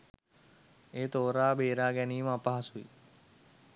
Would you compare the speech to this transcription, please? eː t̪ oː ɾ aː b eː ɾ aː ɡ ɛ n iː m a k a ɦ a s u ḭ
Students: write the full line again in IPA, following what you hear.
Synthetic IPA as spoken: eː t̪ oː ɾ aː b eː ɾ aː ɡ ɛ n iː m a p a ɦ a s u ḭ